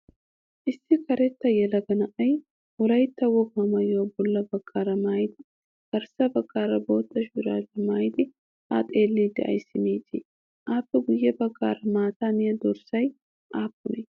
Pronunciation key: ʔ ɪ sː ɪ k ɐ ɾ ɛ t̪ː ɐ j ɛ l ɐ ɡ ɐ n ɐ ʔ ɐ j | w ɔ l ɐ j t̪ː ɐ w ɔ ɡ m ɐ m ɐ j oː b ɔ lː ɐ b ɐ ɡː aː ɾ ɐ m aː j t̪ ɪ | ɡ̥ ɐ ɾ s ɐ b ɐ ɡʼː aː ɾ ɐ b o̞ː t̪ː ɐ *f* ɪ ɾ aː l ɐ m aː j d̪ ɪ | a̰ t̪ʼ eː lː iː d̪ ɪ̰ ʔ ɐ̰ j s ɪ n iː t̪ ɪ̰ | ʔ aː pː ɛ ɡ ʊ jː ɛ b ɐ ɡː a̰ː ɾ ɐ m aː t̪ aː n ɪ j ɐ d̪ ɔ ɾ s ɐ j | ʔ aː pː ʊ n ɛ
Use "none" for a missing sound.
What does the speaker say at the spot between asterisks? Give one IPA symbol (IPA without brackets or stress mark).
ʃ